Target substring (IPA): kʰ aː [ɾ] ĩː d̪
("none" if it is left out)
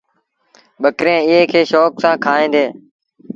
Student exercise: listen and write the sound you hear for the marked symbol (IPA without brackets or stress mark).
none